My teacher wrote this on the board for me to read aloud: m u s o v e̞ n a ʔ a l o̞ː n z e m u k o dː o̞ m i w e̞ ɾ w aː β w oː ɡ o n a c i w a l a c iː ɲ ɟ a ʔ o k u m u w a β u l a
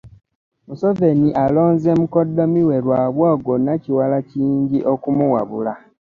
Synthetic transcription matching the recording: m u s o v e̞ n i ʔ a l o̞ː n z e m u k o dː o̞ m i w e̞ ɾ w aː β w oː ɡ o n a c i w a l a c iː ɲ ɟ i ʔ o k u m u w a β u l a